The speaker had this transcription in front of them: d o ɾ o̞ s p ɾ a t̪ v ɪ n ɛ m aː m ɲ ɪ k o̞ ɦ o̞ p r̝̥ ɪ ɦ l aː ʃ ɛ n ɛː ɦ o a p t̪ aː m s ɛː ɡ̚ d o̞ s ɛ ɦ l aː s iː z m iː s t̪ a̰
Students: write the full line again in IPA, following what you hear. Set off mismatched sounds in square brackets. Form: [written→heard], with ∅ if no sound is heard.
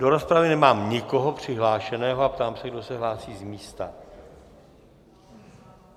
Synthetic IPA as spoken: d o ɾ o̞ s p ɾ a [t̪→∅] v ɪ n ɛ m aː m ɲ ɪ k o̞ ɦ o̞ p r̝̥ ɪ ɦ l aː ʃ ɛ n ɛː ɦ o a p t̪ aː m s [ɛː→ɛ] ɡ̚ d o̞ s ɛ ɦ l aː s iː z m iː s t̪ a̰